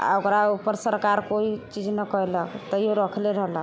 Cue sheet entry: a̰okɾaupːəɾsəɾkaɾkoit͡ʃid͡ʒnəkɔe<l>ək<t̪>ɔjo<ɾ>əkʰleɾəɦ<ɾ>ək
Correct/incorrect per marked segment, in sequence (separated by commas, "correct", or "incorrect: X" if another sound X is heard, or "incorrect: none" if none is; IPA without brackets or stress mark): correct, correct, correct, incorrect: l